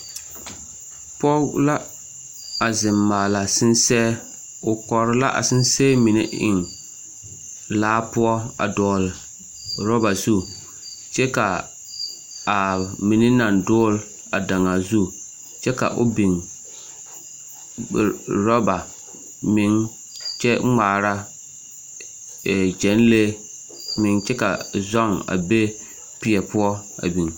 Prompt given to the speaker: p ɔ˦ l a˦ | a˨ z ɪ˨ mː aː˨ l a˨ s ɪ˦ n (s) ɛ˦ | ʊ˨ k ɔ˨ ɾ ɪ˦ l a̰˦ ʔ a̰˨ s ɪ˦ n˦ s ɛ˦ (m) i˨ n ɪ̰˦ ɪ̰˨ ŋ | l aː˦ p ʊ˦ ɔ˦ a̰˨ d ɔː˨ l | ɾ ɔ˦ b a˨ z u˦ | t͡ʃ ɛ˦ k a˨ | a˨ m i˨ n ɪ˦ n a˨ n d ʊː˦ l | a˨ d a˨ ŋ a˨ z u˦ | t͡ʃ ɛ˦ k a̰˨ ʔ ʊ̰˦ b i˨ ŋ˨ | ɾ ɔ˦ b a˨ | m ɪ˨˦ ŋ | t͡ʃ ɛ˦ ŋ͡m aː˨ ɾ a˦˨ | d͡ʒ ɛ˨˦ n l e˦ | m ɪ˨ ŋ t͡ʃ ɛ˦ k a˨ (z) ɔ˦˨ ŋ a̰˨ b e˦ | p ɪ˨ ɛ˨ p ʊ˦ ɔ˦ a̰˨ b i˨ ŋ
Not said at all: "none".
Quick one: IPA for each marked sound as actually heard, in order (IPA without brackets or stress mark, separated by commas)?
s, m, z